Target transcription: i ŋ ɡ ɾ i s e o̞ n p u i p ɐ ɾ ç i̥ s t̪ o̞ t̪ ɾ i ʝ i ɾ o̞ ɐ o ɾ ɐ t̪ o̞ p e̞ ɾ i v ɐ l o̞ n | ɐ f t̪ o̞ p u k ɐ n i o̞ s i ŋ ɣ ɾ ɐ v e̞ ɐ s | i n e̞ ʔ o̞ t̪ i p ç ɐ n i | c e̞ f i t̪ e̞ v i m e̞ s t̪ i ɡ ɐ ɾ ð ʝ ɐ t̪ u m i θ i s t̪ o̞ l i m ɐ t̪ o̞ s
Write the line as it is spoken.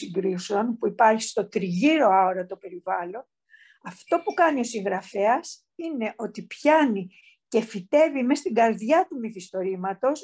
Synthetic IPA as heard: i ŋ ɡ ɾ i s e o̞ n p u i p ɐ ɾ ç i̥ s t̪ o̞ t̪ ɾ i ʝ i ɾ o̞ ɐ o ɾ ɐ t̪ o̞ p e̞ ɾ i v ɐ l o̞ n | ɐ f t̪ o̞ p u k ɐ n i o̞ s i ŋ ɣ ɾ ɐ f e̞ ɐ s | i n e̞ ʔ o̞ t̪ i p ç ɐ n i | c e̞ f i t̪ e̞ v i m e̞ s t̪ i ɡ ɐ ɾ ð ʝ ɐ t̪ u m i θ i s t̪ o̞ ɾ i m ɐ t̪ o̞ s